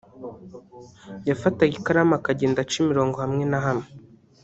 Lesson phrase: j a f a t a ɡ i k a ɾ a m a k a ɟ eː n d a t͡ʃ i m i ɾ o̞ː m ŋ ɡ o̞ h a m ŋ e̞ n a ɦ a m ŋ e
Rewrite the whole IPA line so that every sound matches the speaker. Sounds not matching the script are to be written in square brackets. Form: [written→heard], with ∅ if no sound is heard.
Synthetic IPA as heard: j a f a t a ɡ i k a ɾ a m a k a ɟ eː n d a t͡ʃ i m i ɾ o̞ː [m→∅] ŋ ɡ o̞ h a m ŋ e̞ n a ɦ a m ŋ e

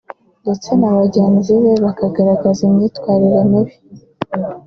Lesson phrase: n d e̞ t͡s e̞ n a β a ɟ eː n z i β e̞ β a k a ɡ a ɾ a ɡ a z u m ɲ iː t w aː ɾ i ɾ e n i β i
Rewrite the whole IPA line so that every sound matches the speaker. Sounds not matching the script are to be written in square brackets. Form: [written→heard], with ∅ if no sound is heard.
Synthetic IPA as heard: n d e̞ t͡s e̞ n a β a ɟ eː n z i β e̞ β a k a ɡ a ɾ a ɡ a z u m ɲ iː t w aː ɾ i ɾ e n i β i

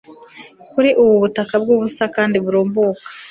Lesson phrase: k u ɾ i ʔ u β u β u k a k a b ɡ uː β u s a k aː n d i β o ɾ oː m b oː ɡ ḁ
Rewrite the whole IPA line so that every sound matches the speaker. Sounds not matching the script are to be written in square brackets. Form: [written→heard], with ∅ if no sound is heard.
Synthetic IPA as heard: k u ɾ i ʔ u β u β u [k→t] a k a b ɡ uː β u s a k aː n d i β [o→u] ɾ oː m b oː [ɡ→k] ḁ

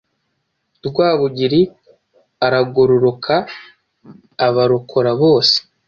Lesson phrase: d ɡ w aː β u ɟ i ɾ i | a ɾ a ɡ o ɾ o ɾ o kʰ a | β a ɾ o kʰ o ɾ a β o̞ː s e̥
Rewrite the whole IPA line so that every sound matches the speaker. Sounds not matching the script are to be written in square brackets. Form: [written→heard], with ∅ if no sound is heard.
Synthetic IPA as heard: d ɡ w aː β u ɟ i ɾ i | a ɾ a ɡ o ɾ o ɾ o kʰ a | β a ɾ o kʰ o ɾ a β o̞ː s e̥

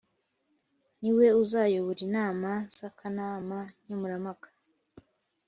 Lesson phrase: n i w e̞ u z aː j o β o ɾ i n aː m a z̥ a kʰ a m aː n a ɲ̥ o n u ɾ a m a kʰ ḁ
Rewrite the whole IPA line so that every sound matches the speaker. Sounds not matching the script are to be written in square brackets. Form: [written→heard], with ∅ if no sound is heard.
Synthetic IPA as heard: n i w e̞ u z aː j o β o ɾ i n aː m a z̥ a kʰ a [m→n] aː [n→m] a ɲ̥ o [n→m] u ɾ a m a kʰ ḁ

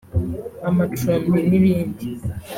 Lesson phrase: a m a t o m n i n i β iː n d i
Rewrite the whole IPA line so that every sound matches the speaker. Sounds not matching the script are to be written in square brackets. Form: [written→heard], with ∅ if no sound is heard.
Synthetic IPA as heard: a m a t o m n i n i β iː n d i

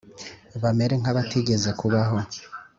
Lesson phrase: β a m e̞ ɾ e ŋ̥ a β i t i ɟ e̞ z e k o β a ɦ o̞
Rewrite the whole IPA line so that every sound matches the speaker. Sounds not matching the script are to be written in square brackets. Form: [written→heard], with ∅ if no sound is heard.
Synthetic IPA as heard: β a m e̞ ɾ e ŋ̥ a β [i→a] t i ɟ e̞ z e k [o→u] β a ɦ o̞

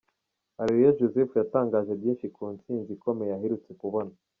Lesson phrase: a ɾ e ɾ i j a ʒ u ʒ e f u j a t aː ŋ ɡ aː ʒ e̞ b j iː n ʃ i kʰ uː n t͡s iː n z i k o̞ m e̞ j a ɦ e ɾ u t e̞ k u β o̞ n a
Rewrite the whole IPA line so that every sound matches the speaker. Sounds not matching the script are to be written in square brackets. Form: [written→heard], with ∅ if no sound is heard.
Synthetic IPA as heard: a ɾ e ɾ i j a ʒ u [ʒ→z] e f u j a t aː ŋ ɡ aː ʒ e̞ b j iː n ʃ i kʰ uː n t͡s iː n z i k o̞ m e̞ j a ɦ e ɾ u [t→t͡s] e̞ k u β o̞ n a

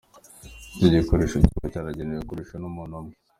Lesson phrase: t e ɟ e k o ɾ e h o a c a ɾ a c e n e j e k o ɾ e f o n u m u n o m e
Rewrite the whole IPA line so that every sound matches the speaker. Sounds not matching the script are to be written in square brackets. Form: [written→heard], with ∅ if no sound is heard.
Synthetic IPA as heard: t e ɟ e k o ɾ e [h→ʃ] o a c a ɾ a [c→ɟ] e n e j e k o ɾ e [f→ʃ] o n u m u n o m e

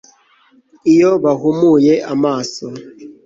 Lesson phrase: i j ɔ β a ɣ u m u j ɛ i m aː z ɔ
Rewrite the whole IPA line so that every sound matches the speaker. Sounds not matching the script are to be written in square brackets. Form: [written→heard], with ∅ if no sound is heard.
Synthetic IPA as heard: i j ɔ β a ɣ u m u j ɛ [i→a] m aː [z→s] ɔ

